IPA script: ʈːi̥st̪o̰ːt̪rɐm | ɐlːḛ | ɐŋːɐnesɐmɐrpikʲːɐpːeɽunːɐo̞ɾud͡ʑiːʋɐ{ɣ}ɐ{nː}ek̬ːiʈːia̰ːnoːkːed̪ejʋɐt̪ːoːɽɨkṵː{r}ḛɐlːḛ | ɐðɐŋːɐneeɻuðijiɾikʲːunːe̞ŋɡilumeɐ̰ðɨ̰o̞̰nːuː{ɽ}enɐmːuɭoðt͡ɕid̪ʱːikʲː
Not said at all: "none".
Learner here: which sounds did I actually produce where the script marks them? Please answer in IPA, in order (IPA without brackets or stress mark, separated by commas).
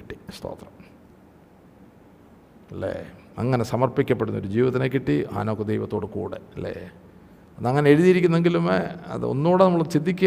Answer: ð, n, ɽ, ɽ